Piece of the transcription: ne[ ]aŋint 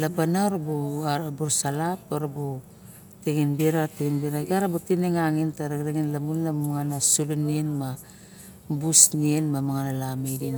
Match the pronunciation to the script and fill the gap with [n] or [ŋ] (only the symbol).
ŋ